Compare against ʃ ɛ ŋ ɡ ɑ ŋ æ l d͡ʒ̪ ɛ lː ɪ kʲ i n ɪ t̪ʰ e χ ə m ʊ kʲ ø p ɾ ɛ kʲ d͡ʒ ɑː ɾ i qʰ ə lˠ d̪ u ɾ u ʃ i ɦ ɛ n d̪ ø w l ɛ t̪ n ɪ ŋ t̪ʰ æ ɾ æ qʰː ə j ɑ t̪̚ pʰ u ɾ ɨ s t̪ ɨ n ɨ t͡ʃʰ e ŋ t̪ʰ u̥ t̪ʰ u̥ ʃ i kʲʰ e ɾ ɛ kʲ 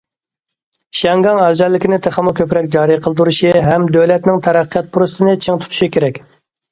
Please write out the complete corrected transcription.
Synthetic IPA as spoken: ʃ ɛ ŋ ɡ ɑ ŋ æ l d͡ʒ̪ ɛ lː ɪ kʲ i n ɪ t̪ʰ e χ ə m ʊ kʲ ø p ɾ ɛ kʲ d͡ʒ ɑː ɾ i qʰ ə lˠ d̪ u ɾ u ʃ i ɦ ɛ m d̪ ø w l ɛ t̪ n ɪ ŋ t̪ʰ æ ɾ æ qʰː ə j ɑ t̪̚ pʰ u ɾ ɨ s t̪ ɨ n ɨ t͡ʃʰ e ŋ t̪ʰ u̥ t̪ʰ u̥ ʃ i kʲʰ e ɾ ɛ kʲ